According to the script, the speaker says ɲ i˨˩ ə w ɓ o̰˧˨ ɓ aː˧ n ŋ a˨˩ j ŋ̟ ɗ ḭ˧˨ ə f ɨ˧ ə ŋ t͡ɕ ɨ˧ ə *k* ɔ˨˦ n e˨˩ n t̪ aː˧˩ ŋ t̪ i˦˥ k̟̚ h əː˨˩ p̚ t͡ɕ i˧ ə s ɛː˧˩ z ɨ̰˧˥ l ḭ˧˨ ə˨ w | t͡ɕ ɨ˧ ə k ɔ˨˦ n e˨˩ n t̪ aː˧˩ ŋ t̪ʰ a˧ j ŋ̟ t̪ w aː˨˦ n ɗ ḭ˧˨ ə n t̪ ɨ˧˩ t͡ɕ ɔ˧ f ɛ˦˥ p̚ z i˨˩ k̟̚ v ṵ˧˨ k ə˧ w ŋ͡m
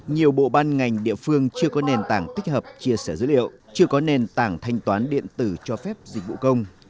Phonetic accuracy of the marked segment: correct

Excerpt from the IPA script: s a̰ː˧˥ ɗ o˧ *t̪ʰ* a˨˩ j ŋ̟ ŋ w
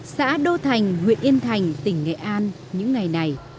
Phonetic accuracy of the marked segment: correct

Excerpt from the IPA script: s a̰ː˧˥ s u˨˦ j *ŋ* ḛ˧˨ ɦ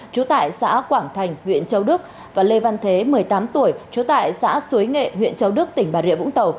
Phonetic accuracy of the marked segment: correct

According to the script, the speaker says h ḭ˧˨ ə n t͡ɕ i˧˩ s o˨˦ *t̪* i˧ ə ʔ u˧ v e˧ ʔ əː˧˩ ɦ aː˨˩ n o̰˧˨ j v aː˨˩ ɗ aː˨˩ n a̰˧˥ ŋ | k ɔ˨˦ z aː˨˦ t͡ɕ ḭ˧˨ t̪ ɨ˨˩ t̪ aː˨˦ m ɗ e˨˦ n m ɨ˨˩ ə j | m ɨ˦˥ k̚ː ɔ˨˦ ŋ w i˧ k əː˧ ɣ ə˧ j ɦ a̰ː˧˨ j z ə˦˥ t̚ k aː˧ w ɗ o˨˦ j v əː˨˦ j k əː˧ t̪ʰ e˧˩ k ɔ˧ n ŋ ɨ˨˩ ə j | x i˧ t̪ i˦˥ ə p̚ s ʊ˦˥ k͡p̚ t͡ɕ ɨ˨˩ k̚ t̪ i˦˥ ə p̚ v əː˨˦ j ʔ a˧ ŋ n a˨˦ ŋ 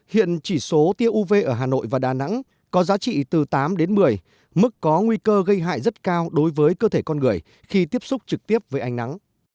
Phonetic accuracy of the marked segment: correct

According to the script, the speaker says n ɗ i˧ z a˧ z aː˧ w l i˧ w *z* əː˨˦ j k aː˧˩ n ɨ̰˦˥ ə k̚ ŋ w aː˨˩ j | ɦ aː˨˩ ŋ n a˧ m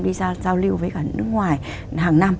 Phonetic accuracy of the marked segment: incorrect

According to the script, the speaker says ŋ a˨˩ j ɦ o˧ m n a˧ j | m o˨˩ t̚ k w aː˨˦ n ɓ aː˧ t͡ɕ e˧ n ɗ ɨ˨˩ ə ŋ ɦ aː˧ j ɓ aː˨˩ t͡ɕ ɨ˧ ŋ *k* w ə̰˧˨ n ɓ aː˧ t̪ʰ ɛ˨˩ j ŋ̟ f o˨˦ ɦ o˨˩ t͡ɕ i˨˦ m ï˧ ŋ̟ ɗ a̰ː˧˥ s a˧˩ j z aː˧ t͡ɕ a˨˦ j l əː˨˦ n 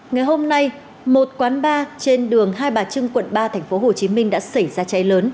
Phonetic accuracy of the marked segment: correct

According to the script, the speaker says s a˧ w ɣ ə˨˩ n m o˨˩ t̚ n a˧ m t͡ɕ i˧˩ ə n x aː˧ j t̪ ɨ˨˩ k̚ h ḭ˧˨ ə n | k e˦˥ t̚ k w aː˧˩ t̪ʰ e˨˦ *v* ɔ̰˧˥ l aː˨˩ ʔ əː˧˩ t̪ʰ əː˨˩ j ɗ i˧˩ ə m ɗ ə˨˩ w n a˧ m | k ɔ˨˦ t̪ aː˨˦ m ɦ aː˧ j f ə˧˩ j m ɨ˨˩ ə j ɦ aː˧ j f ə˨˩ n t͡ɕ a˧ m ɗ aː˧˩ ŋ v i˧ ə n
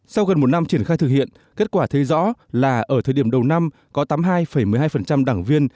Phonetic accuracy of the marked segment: incorrect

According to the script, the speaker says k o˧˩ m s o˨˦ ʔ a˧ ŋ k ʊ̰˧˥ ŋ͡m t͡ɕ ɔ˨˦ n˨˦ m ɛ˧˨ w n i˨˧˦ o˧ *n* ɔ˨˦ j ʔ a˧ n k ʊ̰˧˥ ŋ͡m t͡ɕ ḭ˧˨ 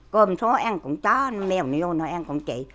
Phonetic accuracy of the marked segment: correct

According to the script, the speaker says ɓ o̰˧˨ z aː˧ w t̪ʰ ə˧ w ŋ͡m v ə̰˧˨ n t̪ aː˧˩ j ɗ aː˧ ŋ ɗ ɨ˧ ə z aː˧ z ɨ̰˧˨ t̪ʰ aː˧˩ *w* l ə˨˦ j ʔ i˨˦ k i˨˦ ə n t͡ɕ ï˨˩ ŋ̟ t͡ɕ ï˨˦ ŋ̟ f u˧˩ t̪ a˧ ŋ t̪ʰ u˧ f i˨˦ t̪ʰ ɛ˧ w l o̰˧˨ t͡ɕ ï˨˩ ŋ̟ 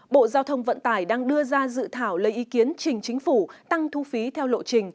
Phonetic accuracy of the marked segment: correct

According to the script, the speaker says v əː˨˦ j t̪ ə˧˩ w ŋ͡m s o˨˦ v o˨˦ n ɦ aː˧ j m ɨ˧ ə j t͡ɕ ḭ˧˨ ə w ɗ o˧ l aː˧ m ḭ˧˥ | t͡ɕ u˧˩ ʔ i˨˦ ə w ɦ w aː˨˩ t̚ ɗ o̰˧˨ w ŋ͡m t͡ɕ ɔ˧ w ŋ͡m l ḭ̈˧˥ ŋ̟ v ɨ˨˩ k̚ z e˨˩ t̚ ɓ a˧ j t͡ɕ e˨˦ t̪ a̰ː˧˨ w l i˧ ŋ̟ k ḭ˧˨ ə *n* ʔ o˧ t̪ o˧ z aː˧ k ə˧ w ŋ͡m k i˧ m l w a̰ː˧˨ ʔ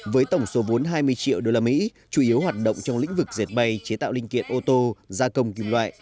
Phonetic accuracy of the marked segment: correct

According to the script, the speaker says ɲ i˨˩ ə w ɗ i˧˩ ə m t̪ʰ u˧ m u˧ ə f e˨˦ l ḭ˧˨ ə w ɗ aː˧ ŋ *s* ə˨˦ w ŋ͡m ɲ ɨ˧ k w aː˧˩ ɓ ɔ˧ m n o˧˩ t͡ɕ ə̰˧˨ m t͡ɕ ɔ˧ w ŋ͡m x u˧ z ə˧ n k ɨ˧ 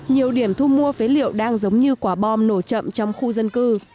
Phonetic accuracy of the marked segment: incorrect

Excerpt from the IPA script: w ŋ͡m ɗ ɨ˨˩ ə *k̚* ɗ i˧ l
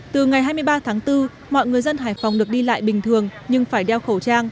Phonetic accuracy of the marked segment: correct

